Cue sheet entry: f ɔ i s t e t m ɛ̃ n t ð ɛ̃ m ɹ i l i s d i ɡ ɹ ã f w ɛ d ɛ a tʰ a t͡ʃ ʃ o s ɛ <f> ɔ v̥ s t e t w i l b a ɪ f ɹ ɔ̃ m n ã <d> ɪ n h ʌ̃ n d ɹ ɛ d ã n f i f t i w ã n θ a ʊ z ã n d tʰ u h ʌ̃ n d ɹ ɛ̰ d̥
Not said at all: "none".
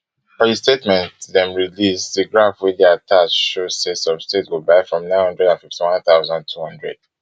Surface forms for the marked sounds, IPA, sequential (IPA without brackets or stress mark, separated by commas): s, none